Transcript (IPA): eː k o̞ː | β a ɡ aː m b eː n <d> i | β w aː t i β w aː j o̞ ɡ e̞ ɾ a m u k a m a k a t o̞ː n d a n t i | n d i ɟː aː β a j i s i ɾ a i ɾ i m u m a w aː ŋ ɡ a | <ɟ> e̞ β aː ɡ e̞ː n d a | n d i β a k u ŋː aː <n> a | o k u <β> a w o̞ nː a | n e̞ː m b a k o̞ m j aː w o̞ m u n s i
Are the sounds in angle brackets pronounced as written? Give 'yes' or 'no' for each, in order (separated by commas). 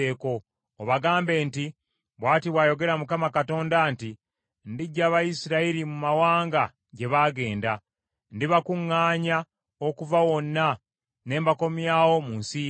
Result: no, yes, no, no